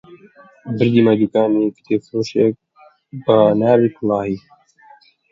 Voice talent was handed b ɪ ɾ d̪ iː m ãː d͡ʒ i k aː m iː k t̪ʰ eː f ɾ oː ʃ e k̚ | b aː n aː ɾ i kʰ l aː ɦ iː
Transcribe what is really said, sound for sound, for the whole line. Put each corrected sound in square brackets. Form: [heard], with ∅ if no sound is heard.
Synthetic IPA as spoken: b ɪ ɾ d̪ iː m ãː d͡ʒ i k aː m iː k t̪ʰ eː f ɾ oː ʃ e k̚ | b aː n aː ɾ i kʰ l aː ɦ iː